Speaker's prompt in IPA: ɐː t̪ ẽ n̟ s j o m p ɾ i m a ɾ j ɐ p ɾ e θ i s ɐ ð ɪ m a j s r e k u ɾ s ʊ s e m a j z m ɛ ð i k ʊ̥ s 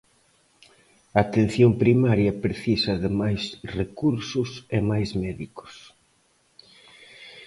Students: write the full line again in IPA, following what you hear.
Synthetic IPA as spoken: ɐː t̪ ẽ n̟ θ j o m p ɾ i m a ɾ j ɐ p ɾ e θ i s ɐ ð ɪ m a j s r e k u ɾ s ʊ s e m a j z m ɛ ð i k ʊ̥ s